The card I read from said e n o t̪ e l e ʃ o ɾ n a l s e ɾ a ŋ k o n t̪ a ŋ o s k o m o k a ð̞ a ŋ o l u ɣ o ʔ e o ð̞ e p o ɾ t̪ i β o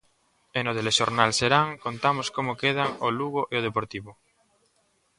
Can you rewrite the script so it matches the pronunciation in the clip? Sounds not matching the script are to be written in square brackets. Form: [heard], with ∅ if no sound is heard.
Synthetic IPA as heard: e n o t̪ e l e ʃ o ɾ n a l s e ɾ a ŋ k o n t̪ a [m] o s k o m o k [e] ð̞ a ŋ o l u ɣ o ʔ e o ð̞ e p o ɾ t̪ i β o